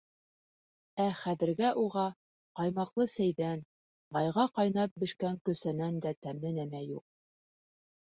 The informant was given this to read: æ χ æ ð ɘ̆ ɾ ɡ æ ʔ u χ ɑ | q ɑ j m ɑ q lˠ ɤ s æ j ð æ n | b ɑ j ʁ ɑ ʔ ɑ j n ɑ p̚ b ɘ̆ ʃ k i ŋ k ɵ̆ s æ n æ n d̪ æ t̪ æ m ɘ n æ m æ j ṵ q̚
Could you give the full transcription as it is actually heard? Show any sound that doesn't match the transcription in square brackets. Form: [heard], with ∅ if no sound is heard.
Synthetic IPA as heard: æ χ æ ð ɘ̆ ɾ ɡ æ ʔ u [ʁ] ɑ | q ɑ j m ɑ q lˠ ɤ s æ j ð æ n | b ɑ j ʁ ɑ [q] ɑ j n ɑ p̚ b ɘ̆ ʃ k [æ] ŋ k ɵ̆ s æ n æ n d̪ æ t̪ æ m ɘ n æ m æ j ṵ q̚